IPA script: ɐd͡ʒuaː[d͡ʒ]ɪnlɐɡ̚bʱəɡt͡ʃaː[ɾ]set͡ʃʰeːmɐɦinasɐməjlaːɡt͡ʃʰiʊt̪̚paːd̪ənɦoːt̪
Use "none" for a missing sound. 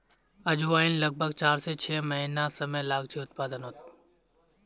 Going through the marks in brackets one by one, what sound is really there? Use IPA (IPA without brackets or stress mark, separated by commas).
none, ɾ